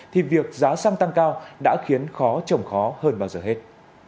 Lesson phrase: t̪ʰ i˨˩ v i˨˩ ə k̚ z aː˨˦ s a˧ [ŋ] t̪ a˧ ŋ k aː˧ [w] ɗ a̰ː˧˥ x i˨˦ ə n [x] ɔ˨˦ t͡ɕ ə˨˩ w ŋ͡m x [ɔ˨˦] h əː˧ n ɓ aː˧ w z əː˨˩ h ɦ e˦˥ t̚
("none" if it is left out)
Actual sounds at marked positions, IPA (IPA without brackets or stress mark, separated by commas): ŋ, w, x, ɔ˨˦